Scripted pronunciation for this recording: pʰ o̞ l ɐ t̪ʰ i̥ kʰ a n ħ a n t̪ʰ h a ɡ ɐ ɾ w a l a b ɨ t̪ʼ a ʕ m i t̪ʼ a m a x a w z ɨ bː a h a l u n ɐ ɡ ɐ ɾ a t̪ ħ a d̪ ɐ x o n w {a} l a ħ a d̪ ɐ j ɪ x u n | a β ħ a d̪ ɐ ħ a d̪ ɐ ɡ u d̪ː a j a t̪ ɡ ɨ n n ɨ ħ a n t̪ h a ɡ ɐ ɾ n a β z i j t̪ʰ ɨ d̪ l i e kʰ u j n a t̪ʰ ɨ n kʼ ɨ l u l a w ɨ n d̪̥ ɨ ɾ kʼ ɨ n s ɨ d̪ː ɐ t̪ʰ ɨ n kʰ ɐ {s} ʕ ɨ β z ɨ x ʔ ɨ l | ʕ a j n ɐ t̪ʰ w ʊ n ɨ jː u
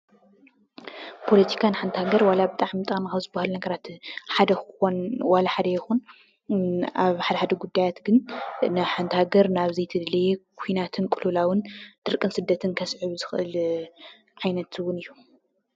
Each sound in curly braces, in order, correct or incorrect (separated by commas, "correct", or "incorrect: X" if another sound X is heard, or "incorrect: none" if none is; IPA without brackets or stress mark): correct, correct